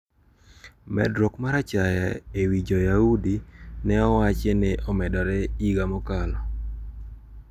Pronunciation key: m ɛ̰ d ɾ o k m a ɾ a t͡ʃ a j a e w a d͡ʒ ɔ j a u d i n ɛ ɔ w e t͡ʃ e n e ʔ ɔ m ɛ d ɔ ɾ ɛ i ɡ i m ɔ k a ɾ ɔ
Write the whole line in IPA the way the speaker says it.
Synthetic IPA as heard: m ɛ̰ d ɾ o k m a ɾ a t͡ʃ a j a e w i d͡ʒ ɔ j a u d i n ɛ ɔ w a t͡ʃ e n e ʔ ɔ m ɛ d ɔ ɾ ɛ i ɡ a m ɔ k a l ɔ